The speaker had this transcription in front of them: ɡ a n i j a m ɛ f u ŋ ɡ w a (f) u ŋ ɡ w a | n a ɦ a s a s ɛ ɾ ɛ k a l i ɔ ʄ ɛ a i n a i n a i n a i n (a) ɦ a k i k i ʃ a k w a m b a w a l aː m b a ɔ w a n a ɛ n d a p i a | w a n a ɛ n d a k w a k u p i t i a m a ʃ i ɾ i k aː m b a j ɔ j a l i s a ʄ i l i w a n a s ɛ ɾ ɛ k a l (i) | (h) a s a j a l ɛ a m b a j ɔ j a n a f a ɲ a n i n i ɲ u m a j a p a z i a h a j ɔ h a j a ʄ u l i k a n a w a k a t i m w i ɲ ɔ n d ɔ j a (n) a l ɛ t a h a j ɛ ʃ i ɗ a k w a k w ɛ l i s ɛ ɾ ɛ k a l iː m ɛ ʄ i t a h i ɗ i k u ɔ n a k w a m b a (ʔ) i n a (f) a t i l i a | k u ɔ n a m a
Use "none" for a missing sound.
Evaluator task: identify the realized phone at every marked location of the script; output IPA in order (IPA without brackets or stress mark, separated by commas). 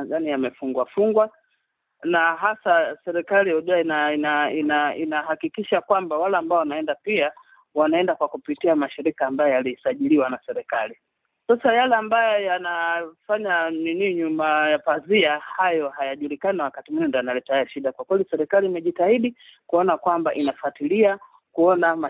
f, a, i, s, n, ʔ, f